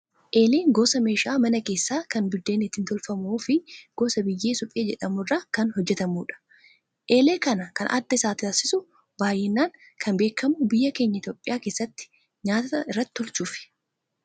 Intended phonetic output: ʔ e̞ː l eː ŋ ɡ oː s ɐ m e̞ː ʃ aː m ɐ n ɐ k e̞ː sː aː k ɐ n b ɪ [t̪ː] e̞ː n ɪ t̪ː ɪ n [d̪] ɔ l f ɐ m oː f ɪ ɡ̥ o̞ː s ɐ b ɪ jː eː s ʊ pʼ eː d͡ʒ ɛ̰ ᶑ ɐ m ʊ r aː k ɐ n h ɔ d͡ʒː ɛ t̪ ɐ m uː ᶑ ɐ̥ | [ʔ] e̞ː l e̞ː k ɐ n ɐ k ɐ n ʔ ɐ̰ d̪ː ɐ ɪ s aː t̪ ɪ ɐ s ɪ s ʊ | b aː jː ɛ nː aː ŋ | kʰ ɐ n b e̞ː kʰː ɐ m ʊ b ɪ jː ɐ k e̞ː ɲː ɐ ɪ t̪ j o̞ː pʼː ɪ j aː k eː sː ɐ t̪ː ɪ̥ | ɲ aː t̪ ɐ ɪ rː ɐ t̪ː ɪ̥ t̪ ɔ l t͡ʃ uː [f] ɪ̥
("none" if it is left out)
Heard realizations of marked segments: d̪ː, t̪, ʔ, f

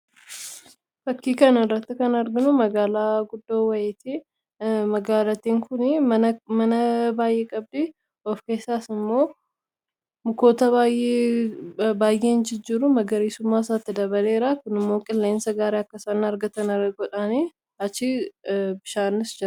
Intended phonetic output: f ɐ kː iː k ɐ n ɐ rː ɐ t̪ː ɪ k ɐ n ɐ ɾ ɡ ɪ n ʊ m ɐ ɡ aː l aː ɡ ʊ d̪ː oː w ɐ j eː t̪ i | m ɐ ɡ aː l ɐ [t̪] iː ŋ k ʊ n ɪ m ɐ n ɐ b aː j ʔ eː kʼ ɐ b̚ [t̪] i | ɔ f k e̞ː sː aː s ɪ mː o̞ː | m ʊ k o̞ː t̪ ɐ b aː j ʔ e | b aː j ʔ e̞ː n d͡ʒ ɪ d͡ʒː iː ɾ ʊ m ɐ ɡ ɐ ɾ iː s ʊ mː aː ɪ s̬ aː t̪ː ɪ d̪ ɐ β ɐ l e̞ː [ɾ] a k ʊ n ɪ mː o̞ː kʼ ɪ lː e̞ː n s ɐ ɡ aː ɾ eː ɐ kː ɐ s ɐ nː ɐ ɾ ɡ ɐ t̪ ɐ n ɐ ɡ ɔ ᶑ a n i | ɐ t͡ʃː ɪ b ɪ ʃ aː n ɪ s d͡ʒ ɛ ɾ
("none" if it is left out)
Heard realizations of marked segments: t̪, d̪, ɾ

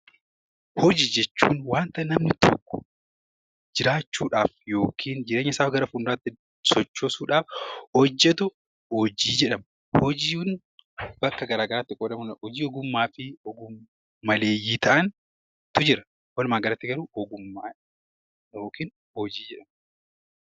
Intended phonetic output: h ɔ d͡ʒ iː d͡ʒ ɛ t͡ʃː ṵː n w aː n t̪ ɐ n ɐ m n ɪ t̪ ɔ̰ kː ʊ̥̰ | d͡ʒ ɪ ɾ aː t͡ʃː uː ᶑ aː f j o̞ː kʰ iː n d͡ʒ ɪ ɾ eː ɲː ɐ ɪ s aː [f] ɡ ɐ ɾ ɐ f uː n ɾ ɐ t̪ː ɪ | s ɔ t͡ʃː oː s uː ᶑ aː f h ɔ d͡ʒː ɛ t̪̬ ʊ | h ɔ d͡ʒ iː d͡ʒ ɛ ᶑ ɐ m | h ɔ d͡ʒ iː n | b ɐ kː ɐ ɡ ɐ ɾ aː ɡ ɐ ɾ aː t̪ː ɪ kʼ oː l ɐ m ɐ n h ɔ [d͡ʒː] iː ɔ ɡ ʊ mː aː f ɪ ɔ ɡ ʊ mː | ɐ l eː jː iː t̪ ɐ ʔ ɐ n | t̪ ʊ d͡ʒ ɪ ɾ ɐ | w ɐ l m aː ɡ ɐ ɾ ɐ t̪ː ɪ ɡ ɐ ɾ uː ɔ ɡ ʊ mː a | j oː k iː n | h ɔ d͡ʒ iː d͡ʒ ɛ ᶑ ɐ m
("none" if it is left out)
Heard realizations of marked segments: f, d͡ʒ

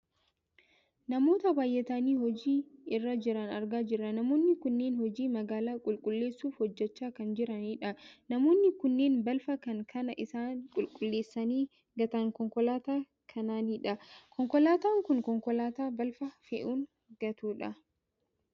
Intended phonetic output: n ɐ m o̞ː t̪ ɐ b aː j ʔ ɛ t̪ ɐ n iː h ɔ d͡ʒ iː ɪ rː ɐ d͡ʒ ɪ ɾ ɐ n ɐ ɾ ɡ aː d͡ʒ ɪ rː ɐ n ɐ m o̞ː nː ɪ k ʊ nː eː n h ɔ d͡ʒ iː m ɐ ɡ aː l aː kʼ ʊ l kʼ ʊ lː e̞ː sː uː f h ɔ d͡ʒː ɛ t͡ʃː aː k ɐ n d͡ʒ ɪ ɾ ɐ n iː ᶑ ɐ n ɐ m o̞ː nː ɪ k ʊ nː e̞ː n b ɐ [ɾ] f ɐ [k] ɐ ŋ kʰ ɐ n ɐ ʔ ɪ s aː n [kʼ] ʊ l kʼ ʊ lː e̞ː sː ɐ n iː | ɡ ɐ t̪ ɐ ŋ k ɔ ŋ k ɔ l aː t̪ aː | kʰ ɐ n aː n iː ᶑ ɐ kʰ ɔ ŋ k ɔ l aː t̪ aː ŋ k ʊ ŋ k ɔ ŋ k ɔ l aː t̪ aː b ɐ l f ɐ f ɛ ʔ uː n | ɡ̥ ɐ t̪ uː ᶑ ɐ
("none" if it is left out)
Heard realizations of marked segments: l, k, kʼ

